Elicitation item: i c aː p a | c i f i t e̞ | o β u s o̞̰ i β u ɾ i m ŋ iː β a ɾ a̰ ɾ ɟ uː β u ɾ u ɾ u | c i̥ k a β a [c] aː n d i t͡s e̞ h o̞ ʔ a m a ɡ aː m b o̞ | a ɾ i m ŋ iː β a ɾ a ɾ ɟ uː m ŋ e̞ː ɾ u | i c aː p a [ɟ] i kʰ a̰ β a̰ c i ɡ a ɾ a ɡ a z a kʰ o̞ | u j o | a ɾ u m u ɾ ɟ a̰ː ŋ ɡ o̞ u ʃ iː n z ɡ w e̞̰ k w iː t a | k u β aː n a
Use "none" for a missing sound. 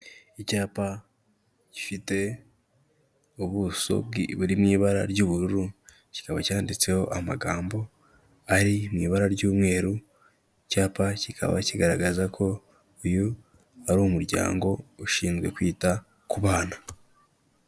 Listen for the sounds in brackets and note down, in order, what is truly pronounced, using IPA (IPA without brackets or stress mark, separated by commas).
c, c